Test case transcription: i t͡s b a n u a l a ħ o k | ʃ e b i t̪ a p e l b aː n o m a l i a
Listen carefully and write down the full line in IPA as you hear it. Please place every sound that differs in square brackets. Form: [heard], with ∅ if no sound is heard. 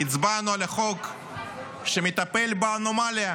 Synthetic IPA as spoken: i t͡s b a n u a l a [χ] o k | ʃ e [m] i t̪ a p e l b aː n o m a l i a